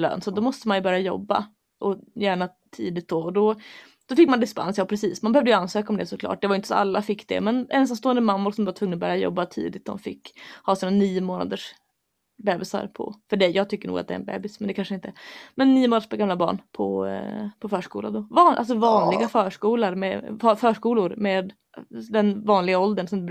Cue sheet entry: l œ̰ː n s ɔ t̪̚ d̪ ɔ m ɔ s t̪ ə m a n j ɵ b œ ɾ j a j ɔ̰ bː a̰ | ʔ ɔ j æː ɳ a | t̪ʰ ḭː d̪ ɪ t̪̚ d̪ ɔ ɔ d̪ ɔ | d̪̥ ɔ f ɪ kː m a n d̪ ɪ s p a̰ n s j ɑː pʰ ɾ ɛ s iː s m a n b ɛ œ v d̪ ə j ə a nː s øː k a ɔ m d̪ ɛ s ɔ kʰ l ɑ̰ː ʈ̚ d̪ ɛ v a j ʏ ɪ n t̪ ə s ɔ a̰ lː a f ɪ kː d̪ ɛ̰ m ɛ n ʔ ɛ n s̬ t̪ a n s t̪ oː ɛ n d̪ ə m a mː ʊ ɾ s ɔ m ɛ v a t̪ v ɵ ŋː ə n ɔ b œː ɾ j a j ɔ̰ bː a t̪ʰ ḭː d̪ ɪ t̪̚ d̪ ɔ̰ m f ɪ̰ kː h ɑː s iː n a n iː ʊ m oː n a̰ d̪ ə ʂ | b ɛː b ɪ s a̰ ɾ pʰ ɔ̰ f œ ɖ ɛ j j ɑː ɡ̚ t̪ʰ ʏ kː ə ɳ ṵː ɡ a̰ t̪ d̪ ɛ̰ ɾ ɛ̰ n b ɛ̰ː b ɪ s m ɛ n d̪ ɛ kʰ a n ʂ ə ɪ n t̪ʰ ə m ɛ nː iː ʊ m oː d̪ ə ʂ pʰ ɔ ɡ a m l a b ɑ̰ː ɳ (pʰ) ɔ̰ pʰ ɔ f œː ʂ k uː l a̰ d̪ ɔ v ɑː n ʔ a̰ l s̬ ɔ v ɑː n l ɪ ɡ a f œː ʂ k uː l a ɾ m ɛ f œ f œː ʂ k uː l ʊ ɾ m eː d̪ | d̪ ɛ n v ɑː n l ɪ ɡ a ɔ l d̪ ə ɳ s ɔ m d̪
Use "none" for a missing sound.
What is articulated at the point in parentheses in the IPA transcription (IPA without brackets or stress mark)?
pʰ